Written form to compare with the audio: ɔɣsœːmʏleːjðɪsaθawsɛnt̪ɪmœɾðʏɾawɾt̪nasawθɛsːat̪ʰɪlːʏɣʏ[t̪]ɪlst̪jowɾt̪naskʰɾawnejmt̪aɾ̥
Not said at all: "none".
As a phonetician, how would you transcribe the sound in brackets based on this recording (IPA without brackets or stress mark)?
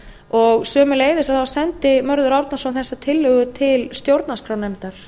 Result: t̪ʰ